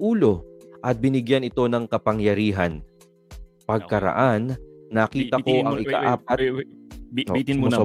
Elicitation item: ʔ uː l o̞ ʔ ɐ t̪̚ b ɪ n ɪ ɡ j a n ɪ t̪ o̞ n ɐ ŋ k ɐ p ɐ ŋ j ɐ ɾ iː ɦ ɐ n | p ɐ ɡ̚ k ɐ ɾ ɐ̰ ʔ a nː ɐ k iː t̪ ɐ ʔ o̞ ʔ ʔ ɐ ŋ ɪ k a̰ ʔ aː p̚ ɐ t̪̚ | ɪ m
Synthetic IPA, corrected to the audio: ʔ uː l o̞ ʔ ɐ t̪̚ b ɪ n ɪ ɡ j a n ɪ t̪ o̞ n ɐ ŋ k ɐ p ɐ ŋ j ɐ ɾ iː ɦ ɐ n | p ɐ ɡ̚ k ɐ ɾ ɐ̰ ʔ a nː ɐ k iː t̪ ɐ k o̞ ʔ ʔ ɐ ŋ ɪ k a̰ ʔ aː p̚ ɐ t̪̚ | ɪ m